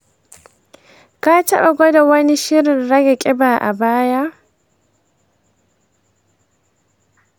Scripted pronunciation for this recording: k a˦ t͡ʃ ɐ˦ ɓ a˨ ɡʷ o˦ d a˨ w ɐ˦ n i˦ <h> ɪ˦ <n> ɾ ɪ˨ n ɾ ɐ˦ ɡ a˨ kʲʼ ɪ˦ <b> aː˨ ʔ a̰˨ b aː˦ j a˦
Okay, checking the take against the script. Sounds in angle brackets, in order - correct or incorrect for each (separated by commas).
incorrect, incorrect, correct